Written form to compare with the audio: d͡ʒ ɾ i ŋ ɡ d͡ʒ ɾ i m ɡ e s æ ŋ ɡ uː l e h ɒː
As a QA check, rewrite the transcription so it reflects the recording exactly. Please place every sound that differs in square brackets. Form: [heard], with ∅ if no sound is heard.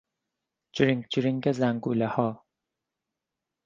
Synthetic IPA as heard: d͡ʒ ɾ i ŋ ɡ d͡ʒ ɾ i [ŋ] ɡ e [z] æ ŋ ɡ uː l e h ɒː